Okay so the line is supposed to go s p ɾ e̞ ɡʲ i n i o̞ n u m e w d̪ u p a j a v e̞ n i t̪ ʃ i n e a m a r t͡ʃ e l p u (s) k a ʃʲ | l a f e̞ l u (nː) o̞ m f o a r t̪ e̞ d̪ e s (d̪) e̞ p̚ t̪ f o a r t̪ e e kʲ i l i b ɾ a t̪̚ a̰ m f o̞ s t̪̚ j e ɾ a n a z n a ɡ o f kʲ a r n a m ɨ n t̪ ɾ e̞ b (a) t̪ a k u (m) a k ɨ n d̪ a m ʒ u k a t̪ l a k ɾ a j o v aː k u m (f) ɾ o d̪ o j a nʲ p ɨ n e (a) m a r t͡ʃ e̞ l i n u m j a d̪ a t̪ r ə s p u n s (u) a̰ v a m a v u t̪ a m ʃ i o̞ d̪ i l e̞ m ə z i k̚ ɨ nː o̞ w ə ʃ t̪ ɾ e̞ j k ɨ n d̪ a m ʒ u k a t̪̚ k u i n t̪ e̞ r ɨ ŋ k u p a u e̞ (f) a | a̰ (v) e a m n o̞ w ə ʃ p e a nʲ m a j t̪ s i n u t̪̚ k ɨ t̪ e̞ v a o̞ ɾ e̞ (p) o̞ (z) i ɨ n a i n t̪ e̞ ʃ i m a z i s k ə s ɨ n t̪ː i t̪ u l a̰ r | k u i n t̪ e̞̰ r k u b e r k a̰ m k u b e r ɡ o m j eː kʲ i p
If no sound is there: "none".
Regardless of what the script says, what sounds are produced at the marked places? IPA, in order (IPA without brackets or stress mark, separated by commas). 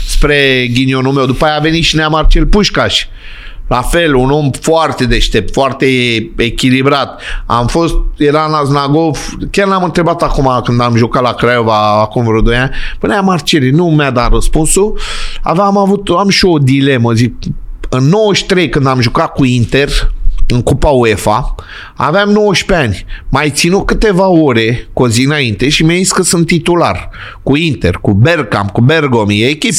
ʃ, n, t̪, a, m, v, a, u, f, v, k, z